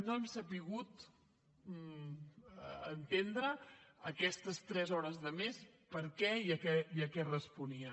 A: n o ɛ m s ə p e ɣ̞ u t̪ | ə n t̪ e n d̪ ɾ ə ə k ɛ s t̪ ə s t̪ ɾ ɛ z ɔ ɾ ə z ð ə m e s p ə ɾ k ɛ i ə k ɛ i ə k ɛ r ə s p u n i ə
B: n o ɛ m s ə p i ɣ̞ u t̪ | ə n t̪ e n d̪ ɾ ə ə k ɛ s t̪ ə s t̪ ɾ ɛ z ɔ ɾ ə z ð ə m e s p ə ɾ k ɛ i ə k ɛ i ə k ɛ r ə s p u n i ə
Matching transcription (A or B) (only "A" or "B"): B